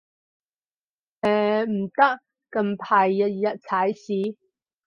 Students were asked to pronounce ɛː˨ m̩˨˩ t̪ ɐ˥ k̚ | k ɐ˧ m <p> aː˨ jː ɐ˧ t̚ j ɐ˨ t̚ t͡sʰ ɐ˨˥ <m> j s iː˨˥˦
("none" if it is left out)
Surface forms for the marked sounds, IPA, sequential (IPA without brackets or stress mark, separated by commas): pʰ, none